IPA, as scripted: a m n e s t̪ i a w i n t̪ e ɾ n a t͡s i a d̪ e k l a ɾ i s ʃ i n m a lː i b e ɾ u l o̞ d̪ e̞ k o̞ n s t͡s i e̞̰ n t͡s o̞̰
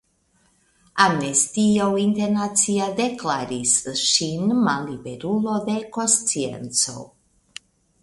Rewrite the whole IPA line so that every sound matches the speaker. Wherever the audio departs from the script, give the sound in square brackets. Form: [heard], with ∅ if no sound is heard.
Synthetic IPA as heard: a m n e s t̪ i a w i n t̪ e ɾ n a t͡s i a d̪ e k l a ɾ i s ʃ i n m a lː i b e ɾ u l o̞ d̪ e̞ k o̞ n s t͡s i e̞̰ n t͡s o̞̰